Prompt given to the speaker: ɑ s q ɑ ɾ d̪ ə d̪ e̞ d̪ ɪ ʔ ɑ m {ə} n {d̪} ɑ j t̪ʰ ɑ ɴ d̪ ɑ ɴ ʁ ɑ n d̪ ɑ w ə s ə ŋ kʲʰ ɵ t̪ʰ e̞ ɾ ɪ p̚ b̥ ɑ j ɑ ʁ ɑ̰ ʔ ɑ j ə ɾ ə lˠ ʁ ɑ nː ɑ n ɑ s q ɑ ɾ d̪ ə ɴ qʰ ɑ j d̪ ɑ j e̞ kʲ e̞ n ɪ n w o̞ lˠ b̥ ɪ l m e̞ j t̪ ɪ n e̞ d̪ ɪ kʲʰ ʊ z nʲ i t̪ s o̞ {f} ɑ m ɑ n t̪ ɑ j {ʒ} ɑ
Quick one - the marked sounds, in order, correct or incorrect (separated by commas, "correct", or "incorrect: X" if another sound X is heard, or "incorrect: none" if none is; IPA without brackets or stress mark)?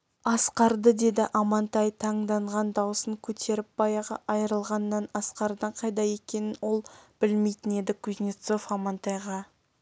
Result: incorrect: ɑ, incorrect: t̪, correct, incorrect: ʁ